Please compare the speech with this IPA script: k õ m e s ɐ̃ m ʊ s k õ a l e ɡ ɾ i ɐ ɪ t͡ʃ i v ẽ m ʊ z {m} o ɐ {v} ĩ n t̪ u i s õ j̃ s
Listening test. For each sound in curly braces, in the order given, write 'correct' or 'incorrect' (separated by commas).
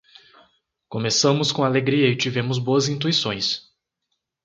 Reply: incorrect, incorrect